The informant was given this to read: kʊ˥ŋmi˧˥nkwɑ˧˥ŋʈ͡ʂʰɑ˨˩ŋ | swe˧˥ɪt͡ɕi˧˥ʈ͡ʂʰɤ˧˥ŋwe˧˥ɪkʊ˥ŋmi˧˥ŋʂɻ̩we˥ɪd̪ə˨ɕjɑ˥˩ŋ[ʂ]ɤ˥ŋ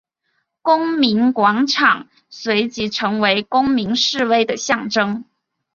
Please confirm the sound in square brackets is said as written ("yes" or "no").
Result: no